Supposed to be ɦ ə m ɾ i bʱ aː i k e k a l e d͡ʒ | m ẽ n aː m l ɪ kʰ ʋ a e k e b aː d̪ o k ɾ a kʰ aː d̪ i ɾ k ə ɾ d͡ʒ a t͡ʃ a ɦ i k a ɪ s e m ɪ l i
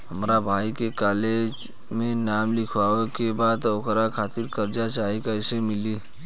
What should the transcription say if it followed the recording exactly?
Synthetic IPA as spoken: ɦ ə m ɾ a bʱ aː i k e k a l e d͡ʒ | m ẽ n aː m l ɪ kʰ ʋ a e k e b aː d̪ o k ɾ a kʰ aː t̪ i ɾ k ə ɾ d͡ʒ a t͡ʃ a ɦ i k a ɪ s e m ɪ l i